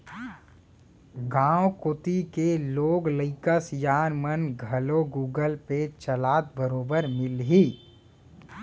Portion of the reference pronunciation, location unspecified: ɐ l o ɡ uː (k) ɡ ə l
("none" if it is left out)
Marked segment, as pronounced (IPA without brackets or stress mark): none